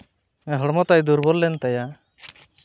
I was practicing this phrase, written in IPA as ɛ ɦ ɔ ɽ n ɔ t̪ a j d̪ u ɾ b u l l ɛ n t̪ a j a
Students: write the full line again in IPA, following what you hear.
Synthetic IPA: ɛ ɦ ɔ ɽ m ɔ t̪ a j d̪ u ɾ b ɔ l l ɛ n t̪ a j a

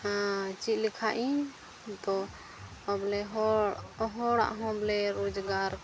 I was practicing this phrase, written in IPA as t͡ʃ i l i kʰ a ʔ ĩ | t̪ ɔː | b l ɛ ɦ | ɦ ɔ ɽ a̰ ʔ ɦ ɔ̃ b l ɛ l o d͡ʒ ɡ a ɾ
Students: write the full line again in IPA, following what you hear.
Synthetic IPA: t͡ʃ i l i kʰ a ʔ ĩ | t̪ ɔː | b l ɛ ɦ | ɦ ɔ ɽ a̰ ʔ ɦ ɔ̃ b l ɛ ɾ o d͡ʒ ɡ a ɾ

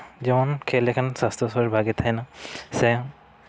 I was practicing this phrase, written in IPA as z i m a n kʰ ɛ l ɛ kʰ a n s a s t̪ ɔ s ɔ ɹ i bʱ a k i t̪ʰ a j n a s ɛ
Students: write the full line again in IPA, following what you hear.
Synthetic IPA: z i m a n kʰ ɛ l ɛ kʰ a n s a s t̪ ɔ s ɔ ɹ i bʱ a ɡ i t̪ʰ a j n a s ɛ

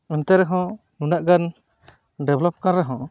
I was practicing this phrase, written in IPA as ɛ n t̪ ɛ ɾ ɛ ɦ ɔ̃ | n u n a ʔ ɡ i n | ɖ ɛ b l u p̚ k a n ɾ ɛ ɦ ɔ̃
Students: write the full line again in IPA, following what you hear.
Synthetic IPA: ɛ n t̪ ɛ ɾ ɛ ɦ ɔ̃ | n u n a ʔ ɡ a n | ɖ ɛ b l ɔ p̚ k a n ɾ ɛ ɦ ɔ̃

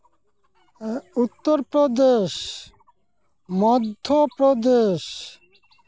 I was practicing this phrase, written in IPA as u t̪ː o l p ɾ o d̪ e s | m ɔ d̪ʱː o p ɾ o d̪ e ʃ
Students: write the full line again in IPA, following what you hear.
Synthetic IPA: u t̪ː o ɾ p ɾ o d̪ e ʃ | m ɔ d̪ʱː o p ɾ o d̪ e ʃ

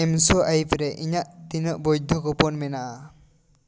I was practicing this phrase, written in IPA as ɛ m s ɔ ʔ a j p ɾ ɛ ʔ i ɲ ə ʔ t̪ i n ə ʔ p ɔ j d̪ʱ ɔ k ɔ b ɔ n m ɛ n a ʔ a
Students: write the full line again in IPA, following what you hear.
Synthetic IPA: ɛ m s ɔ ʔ a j p ɾ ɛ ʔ i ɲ a ʔ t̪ i n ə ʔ b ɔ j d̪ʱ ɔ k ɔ p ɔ n m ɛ n a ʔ a

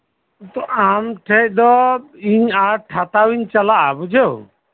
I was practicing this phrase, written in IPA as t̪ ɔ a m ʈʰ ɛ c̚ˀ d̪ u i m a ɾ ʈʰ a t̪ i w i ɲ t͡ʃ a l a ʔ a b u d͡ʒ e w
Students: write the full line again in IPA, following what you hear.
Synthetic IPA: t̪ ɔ a m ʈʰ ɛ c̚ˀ d̪ ɔ i ɲ a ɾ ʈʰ a t̪ a w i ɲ t͡ʃ a l a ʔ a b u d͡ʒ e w

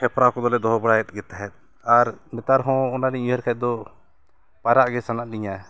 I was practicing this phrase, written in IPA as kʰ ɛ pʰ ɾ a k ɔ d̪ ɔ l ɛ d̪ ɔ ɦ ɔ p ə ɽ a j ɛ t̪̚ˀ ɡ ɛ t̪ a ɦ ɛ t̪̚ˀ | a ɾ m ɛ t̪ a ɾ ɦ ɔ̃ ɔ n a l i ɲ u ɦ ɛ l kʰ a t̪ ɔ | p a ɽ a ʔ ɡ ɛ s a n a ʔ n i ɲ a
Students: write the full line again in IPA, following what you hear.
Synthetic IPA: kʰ ɛ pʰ ɾ a k ɔ d̪ ɔ l ɛ d̪ ɔ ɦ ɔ b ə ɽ a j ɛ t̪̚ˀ ɡ ɛ t̪ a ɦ ɛ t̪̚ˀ | a ɾ m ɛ t̪ a ɾ ɦ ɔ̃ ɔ n a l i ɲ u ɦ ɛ ɾ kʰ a d̪ ɔ | p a ɾ a ʔ ɡ ɛ s a n a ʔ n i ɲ a

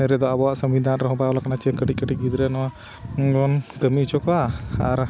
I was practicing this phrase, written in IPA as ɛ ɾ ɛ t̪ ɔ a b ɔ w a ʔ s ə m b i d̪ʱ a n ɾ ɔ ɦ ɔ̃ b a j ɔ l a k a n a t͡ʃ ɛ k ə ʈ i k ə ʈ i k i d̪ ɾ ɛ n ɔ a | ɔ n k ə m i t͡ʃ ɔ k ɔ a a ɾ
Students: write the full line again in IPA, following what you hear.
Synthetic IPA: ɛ ɾ ɛ d̪ ɔ a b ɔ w a ʔ s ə m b i d̪ʱ a n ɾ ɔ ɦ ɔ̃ b a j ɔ l a k a n a t͡ʃ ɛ k ə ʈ i k ə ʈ i ɡ i d̪ ɾ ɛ n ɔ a | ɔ n k ə m i t͡ʃ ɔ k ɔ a a ɾ

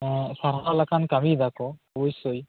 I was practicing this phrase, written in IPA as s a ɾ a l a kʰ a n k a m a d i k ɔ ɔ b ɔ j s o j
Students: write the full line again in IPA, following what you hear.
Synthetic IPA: s a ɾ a l a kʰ a n k a m i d a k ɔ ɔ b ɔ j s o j

